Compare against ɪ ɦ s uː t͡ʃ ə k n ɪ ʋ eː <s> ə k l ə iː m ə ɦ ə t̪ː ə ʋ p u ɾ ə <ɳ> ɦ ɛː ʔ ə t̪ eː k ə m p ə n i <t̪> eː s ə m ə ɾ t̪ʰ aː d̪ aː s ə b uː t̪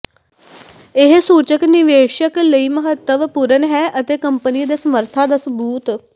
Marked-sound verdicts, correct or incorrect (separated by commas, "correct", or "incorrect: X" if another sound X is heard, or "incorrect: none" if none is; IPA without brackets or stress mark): incorrect: ʃ, incorrect: n, incorrect: d̪